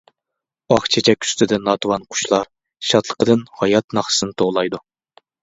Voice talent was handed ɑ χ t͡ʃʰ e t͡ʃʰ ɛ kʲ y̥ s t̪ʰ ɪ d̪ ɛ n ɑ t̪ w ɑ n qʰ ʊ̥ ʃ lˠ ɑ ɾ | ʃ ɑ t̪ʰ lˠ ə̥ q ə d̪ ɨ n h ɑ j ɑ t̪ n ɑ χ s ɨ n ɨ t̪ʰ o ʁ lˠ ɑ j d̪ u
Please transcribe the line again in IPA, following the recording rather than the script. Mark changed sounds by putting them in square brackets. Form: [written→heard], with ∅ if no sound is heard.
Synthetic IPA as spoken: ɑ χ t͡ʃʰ e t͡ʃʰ ɛ kʲ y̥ s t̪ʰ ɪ d̪ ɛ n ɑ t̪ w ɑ n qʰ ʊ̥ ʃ lˠ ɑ ɾ | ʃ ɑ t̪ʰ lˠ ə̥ q ə d̪ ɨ n h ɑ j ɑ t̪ n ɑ χ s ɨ n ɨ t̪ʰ o ʁ lˠ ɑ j d̪ u